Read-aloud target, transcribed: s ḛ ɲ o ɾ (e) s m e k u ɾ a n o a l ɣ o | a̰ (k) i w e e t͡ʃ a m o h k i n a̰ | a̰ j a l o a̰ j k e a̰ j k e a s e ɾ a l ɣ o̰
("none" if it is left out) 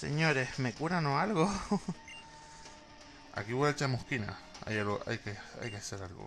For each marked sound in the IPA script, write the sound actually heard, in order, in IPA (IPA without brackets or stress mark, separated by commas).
e, k